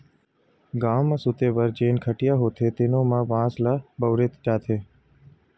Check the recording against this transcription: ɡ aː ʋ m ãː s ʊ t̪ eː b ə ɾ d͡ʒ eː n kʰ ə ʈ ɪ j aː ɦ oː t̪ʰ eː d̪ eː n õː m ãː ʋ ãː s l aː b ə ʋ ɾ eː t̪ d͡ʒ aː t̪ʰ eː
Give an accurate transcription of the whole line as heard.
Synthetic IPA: ɡ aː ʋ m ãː s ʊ t̪ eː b ə ɾ d͡ʒ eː n kʰ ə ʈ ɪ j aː ɦ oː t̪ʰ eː t̪ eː n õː m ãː ʋ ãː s l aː b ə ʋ ɾ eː t̪ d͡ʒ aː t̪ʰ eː